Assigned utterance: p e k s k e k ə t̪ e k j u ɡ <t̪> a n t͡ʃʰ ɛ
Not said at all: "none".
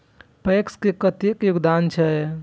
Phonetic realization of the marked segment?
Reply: d̪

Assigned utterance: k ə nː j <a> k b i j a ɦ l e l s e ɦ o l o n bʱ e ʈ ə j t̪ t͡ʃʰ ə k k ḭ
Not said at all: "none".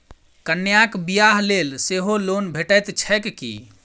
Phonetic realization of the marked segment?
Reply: a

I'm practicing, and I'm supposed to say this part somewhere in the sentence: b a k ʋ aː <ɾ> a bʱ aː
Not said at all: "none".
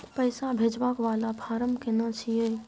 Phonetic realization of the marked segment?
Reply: l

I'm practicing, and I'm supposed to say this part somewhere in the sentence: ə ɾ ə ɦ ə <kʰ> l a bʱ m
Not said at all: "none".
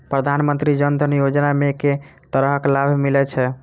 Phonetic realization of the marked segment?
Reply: k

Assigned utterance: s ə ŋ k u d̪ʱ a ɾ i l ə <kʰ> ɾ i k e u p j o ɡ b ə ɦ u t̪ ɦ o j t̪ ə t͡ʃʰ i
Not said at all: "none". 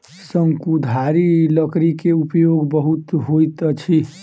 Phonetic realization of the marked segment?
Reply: k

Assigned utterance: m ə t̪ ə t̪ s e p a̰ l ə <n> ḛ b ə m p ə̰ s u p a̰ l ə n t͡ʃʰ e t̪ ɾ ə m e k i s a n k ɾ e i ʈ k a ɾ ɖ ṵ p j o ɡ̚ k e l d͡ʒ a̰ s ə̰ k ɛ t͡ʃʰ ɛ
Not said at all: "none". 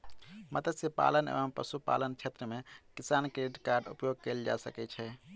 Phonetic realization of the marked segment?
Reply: n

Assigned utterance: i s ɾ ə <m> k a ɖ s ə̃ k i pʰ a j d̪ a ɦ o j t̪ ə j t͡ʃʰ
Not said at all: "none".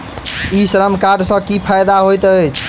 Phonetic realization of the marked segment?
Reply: m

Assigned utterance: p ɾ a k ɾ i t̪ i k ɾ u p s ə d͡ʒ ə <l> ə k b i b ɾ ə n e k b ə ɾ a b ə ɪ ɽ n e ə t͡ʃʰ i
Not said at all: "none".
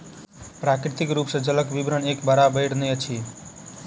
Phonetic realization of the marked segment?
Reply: l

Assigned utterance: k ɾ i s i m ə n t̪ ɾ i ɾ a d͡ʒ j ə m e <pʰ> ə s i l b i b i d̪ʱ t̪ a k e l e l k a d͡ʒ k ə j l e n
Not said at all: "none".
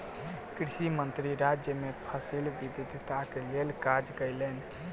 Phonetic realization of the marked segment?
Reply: pʰ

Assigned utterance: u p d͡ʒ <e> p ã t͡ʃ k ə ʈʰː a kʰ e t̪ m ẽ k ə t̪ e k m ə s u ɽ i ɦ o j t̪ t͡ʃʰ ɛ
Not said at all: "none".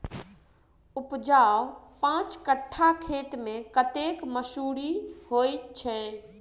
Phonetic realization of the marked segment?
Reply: a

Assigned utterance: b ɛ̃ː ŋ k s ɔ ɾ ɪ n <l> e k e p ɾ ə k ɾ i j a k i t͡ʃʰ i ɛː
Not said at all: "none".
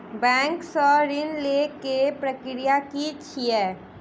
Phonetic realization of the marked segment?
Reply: l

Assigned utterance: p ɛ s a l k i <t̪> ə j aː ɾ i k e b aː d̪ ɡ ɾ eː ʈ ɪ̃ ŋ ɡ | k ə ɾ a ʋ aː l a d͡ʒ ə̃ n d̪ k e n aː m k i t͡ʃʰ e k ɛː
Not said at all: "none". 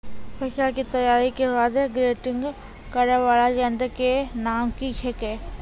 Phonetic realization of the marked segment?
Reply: t̪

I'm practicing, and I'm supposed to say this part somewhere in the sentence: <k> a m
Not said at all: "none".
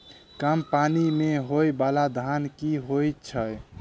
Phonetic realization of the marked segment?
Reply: k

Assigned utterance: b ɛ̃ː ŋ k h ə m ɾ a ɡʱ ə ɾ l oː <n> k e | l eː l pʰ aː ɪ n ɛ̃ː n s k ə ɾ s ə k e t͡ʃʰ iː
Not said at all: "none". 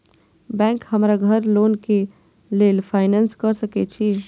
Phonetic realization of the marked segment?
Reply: n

